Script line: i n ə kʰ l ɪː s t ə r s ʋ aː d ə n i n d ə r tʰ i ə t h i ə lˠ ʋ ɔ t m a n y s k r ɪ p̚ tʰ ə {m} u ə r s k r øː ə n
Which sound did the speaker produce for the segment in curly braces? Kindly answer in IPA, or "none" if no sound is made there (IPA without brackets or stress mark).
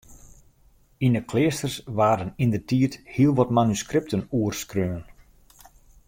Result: n